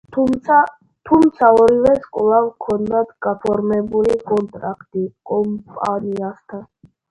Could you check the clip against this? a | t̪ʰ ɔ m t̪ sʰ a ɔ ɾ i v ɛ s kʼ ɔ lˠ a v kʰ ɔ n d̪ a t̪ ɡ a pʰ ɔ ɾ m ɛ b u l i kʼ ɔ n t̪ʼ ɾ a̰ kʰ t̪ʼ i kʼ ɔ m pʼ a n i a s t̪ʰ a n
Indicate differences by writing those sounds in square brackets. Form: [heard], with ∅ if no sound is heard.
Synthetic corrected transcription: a | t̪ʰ [u] m t̪ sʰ a ɔ ɾ i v ɛ s kʼ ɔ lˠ a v kʰ ɔ n d̪ a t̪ ɡ a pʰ ɔ ɾ m ɛ b u l i kʼ ɔ n t̪ʼ ɾ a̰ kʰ t̪ʼ i kʼ ɔ m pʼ a n i a s t̪ʰ a n